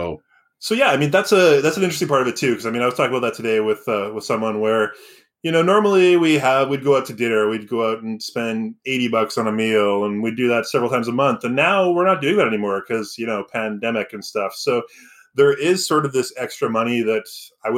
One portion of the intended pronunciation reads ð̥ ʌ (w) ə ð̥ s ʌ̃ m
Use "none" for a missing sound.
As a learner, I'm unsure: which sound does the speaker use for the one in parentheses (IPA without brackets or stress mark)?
w